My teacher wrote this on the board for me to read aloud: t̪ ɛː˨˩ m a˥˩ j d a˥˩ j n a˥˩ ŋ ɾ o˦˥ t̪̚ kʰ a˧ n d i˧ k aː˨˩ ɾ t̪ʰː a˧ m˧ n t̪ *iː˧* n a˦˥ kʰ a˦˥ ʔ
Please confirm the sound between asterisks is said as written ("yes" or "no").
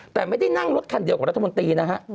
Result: yes